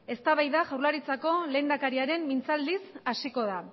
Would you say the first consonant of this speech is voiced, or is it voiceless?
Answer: voiceless